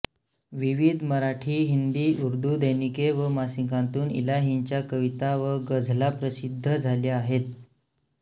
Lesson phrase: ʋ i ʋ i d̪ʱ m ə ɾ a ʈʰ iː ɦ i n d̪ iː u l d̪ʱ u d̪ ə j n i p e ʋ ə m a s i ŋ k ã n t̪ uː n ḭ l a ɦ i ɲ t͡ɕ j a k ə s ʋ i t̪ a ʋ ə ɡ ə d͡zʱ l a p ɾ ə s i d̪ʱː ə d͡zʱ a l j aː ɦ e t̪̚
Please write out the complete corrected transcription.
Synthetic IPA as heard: ʋ i ʋ i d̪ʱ m ə ɾ a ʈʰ iː ɦ i n d̪ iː u ɾ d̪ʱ u d̪ ə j n i k e ʋ ə m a s i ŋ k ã n t̪ uː n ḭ l a ɦ i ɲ t͡ɕ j a k ə ʋ i t̪ a ʋ ə ɡ ə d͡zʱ l a p ɾ ə s i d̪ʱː ə d͡zʱ a l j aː ɦ e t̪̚